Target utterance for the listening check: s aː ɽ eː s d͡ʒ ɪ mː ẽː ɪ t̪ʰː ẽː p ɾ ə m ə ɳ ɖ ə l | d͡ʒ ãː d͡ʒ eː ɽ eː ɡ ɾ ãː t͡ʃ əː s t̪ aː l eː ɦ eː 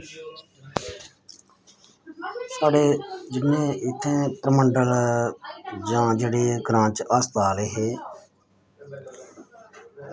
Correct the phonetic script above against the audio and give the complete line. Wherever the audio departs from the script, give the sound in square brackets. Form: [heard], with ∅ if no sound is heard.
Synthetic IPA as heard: s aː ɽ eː [∅] d͡ʒ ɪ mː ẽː ɪ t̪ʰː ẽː p ɾ ə m ə ɳ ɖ ə l | d͡ʒ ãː d͡ʒ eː ɽ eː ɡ ɾ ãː t͡ʃ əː s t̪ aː l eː ɦ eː